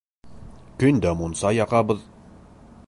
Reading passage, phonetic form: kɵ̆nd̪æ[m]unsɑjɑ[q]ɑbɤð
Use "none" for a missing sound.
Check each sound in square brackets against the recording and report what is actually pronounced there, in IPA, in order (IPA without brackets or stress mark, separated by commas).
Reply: m, q